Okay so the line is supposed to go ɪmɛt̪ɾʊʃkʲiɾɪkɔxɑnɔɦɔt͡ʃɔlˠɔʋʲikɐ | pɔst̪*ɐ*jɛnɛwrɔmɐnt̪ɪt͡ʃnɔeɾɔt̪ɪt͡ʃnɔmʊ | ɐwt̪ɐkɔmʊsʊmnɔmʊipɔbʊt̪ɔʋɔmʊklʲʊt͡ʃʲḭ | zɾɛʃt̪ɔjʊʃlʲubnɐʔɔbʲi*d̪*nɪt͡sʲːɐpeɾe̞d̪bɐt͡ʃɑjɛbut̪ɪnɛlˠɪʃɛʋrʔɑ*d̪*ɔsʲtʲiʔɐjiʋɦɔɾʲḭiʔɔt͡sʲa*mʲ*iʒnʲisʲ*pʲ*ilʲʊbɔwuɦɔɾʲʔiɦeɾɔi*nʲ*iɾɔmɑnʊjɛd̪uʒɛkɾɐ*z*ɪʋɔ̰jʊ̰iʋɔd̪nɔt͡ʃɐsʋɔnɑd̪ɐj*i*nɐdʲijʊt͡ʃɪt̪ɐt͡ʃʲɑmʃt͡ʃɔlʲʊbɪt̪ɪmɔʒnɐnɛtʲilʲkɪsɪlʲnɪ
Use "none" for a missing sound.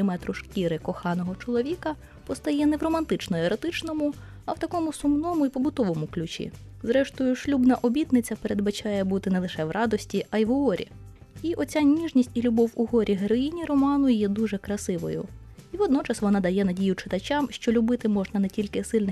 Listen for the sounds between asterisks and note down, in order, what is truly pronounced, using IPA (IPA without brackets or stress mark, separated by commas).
ɐ, t̪, d̪, nʲ, tʲ, nʲ, s, ɛ